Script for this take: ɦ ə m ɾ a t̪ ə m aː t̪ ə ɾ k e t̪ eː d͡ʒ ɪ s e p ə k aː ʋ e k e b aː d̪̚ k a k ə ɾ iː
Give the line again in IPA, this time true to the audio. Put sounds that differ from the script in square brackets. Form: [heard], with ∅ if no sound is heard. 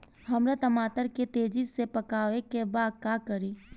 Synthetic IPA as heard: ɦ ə m ɾ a t̪ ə m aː t̪ ə ɾ k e t̪ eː d͡ʒ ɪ s e p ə k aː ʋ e k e b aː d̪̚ k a k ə ɾ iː